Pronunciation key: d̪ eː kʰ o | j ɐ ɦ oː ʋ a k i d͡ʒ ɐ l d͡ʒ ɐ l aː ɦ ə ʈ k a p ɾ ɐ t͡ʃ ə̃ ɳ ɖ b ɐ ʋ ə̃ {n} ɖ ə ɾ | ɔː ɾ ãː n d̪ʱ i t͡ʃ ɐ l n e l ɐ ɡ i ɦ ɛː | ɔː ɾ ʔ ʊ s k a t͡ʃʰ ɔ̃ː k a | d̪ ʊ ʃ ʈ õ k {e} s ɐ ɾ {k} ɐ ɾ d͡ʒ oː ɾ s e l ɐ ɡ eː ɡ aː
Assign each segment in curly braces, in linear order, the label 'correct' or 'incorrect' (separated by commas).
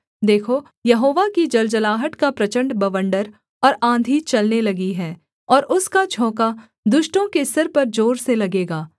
incorrect, correct, incorrect